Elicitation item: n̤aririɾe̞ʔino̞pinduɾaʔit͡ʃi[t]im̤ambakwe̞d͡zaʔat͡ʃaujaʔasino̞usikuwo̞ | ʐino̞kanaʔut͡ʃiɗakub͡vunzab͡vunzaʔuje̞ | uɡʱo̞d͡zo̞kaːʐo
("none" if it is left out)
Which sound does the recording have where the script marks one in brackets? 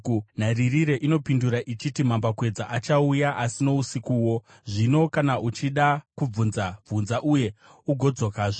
t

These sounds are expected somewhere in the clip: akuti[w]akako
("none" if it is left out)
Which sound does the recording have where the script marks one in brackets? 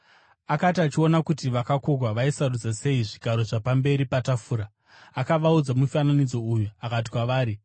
ʋ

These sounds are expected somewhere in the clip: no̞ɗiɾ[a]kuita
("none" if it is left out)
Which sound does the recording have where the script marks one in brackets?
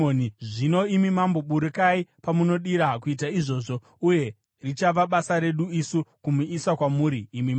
a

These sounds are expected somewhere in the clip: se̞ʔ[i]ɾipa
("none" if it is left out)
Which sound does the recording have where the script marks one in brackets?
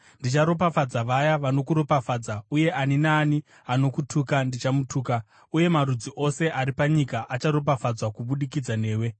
a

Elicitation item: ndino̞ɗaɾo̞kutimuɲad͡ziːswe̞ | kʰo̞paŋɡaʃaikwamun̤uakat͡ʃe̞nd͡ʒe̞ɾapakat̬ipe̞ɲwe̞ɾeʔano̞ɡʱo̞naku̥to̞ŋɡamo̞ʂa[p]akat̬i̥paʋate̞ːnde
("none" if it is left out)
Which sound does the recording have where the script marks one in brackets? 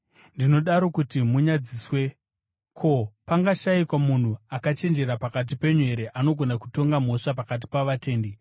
p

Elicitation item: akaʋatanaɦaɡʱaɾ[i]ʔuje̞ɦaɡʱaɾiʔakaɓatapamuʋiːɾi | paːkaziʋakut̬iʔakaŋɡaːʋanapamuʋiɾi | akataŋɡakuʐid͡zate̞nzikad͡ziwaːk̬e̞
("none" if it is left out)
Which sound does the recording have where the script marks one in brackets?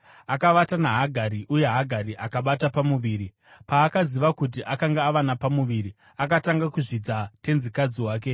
i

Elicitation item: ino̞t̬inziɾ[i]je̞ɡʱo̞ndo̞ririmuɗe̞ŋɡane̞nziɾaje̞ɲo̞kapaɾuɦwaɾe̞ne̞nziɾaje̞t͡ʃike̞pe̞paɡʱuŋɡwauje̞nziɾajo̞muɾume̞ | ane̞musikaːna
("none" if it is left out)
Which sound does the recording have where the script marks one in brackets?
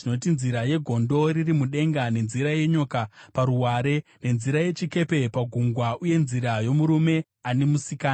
a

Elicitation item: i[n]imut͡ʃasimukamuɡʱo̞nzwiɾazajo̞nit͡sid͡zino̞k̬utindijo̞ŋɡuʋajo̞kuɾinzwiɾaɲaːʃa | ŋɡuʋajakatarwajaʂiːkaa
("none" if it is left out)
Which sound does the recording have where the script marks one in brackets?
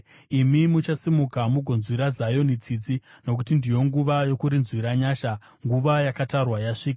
m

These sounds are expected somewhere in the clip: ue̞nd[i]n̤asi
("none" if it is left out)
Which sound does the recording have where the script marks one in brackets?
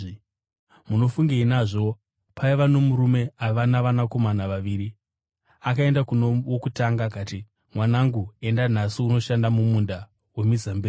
a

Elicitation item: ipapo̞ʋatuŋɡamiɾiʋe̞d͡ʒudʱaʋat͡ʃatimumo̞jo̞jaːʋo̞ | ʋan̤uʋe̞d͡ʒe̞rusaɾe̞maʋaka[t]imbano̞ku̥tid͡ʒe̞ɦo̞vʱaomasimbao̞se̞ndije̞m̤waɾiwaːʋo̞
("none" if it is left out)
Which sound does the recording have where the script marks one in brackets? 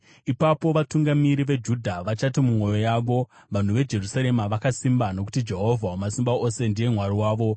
s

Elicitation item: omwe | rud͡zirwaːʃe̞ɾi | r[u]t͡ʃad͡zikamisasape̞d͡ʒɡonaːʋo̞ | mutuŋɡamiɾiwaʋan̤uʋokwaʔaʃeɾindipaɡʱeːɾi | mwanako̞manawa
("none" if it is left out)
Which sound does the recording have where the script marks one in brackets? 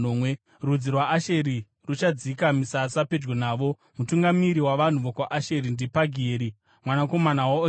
u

